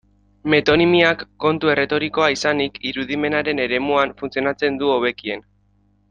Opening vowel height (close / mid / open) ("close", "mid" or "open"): mid